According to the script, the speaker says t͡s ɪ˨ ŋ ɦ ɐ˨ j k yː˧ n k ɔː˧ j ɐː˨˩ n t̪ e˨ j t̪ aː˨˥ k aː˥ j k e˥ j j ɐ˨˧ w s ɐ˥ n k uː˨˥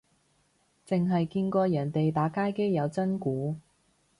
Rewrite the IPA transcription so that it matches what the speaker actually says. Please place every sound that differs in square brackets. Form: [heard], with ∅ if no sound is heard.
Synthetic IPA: t͡s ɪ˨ ŋ ɦ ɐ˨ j k [iː˧] n k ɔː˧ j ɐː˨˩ n t̪ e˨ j t̪ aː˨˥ k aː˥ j k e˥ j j ɐ˨˧ w [t͡s] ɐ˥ n k uː˨˥